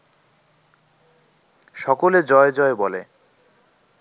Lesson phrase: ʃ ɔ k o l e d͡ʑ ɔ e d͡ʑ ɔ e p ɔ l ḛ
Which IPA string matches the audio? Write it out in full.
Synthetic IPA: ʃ ɔ k o l e d͡ʑ ɔ e d͡ʑ ɔ e b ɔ l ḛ